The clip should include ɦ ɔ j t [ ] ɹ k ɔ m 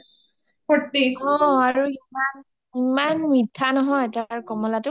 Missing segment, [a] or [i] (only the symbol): a